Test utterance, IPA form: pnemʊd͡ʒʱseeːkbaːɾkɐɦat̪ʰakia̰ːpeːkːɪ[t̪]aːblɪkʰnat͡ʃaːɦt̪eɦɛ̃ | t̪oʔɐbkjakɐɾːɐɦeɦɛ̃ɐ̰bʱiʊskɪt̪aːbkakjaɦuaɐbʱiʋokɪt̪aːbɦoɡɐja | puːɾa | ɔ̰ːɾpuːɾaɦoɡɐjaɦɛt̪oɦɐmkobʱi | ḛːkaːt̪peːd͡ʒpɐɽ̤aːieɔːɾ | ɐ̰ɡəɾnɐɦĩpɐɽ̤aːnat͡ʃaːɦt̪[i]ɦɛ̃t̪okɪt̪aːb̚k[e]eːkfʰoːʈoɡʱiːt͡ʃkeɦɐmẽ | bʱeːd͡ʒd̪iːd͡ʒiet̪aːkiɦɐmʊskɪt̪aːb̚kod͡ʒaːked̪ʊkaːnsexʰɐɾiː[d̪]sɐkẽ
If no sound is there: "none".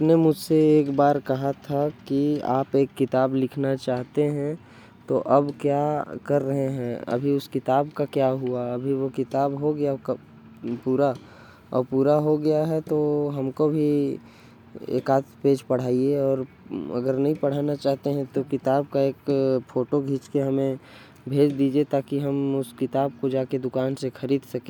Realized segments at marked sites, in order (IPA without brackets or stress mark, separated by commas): t̪, e, a, d̪